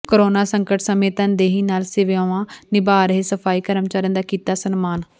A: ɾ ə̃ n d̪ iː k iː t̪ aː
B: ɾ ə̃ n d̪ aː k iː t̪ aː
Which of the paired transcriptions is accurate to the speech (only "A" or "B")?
B